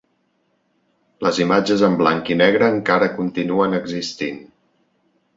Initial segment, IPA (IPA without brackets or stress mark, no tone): l